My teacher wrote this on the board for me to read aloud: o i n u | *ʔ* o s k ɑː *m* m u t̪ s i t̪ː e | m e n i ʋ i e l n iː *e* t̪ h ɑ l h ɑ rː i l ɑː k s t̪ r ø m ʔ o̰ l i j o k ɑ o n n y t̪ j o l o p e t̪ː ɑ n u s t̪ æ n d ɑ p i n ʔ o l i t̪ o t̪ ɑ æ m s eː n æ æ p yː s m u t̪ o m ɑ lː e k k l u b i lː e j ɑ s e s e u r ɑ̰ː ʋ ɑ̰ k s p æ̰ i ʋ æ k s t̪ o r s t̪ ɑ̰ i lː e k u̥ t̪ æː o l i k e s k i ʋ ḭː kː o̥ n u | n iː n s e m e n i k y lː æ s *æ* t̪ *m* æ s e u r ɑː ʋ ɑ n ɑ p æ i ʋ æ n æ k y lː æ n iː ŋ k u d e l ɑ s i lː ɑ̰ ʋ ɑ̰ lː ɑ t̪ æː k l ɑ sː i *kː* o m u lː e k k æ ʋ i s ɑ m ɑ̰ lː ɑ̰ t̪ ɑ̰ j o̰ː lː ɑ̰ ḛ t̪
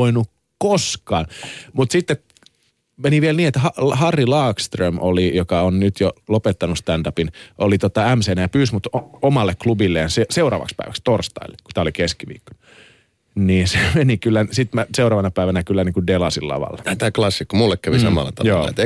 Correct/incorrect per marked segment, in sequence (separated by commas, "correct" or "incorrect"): incorrect, incorrect, correct, incorrect, correct, correct